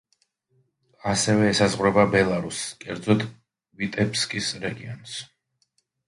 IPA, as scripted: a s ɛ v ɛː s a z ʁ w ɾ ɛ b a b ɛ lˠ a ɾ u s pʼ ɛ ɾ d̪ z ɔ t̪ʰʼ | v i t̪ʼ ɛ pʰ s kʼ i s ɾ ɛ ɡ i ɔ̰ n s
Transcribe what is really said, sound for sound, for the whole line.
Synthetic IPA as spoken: a s ɛ v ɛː s a z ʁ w ɾ ɛ b a b ɛ lˠ a ɾ u s kʼ ɛ ɾ d̪ z ɔ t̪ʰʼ | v i t̪ʼ ɛ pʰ s kʼ i s ɾ ɛ ɡ i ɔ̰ n s